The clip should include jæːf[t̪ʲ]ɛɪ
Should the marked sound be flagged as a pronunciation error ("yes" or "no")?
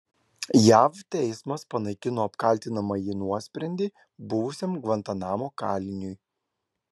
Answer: no